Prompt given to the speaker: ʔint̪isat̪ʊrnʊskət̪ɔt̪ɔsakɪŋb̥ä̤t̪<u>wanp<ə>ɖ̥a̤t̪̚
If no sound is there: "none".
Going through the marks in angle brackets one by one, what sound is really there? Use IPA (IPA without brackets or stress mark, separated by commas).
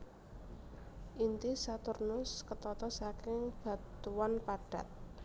u, a